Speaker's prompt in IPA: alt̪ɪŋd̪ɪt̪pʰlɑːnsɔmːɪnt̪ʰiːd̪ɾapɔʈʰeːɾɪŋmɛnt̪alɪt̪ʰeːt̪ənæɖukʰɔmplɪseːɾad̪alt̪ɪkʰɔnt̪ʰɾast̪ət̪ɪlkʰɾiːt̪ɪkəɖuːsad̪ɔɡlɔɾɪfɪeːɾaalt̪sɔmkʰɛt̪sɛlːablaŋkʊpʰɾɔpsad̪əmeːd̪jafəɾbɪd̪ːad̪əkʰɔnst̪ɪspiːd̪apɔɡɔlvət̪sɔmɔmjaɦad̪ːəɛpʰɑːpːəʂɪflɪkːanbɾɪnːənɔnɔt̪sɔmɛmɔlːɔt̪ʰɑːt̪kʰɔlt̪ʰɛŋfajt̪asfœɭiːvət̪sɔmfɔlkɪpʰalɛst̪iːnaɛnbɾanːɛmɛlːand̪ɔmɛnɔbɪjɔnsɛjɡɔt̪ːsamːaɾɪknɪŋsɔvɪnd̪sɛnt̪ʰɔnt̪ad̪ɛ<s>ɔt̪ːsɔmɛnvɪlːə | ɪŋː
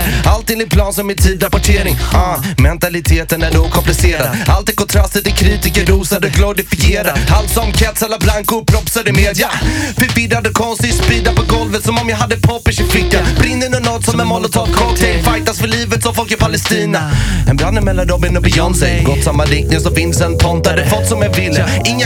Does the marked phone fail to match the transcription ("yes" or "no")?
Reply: yes